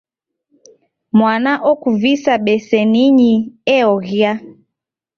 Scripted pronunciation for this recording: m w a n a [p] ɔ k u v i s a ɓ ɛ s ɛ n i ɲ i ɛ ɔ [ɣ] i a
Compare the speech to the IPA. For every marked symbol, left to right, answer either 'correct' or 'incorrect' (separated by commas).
incorrect, correct